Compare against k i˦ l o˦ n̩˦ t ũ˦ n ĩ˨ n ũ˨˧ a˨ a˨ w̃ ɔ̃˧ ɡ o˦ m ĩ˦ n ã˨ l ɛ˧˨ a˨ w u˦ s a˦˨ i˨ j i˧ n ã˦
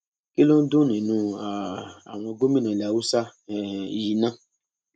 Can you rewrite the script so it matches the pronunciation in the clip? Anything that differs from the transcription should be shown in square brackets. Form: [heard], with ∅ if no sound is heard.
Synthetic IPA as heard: k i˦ l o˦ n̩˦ [d] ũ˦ n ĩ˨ n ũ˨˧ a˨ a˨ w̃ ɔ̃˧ ɡ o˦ m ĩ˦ n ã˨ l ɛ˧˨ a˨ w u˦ s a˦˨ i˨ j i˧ n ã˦